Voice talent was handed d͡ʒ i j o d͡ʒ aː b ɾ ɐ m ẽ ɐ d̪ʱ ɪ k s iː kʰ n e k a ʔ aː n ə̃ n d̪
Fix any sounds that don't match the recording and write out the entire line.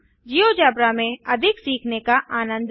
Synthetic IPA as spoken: d͡ʒ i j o d͡ʒ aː b ɾ a m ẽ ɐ d̪ʱ ɪ k s iː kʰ n e k a ʔ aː n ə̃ n d̪

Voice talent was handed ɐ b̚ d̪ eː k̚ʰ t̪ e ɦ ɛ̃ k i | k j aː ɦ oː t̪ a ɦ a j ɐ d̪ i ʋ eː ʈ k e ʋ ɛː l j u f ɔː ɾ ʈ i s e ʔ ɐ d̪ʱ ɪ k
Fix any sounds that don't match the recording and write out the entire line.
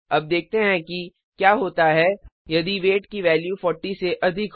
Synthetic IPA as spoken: ɐ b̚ d̪ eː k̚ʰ t̪ e ɦ ɛ̃ k i | k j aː ɦ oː t̪ a ɦ ɛ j ɐ d̪ i ʋ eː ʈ k i ʋ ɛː l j u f ɔː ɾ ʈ i s e ʔ ɐ d̪ʱ ɪ k

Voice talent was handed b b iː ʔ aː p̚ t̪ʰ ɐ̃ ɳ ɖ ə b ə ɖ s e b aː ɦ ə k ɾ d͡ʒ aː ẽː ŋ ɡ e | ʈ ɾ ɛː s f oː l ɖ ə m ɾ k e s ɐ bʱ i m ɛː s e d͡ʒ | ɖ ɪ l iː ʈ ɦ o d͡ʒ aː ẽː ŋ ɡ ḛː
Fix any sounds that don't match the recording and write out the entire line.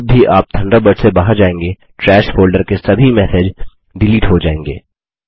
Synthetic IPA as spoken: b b i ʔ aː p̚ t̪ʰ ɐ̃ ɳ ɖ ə b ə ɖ s e b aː ɦ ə ɾ d͡ʒ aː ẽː ŋ ɡ e | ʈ ɾ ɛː ʃ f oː l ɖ ə ɾ k e s ɐ bʱ i m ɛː s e d͡ʒ | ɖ ɪ l iː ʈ ɦ o d͡ʒ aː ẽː ŋ ɡ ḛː

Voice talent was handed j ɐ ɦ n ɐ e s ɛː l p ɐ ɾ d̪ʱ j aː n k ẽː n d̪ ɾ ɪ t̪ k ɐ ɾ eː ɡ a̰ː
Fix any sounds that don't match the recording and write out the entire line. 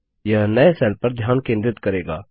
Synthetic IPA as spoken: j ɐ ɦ n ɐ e s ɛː l p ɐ ɾ d̪ʱ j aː n k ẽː n d̪ ɾ ɪ t̪ k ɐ ɾ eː ɡ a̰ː

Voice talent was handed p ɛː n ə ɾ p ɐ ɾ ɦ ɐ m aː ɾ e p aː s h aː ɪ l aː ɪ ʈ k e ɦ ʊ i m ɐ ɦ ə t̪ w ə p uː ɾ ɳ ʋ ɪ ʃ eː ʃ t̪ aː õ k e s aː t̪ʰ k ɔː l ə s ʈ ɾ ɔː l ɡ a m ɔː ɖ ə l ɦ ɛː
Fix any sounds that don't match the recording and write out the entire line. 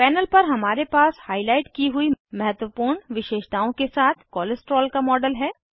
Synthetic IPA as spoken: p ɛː n ə l p ɐ ɾ ɦ ɐ m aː ɾ e p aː s h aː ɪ l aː ɪ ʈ k i ɦ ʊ i m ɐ ɦ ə t̪ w ə p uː ɾ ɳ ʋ ɪ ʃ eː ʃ t̪ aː õ k e s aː t̪ʰ k ɔː l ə s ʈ ɾ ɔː l k a m ɔː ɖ ə l ɦ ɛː

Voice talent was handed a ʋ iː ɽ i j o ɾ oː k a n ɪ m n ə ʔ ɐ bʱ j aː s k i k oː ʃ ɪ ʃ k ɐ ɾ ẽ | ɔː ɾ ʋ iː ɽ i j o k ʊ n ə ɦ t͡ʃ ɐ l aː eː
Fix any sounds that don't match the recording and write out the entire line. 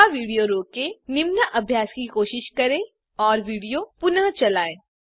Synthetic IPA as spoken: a ʋ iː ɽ i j o ɾ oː k e n ɪ m n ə ʔ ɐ bʱ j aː s k i k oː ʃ ɪ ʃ k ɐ ɾ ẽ | ɔː ɾ ʋ iː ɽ i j o p ʊ n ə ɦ t͡ʃ ɐ l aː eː

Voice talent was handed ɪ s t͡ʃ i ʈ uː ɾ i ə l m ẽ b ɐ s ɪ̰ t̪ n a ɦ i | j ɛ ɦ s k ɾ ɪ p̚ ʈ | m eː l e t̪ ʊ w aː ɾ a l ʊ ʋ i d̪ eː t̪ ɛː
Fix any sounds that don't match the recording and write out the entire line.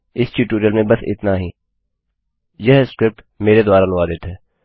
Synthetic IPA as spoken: ɪ s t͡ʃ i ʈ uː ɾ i ə l m ẽ b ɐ s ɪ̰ t̪ n a ɦ i | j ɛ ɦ s k ɾ ɪ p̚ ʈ | m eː ɾ e d̪ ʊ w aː ɾ a l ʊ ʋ a d̪ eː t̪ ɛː

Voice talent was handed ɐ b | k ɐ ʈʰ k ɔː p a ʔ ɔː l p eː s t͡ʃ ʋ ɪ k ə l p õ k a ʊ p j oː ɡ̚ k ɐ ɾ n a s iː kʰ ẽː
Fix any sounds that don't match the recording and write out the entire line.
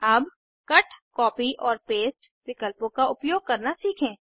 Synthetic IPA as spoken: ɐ b | k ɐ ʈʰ k ɔː p i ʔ ɔː ɾ p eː s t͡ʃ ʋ ɪ k ə l p õ k a ʊ p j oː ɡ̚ k ɐ ɾ n a s iː kʰ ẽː

